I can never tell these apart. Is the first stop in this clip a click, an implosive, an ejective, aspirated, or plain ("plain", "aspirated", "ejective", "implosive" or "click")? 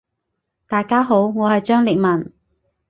plain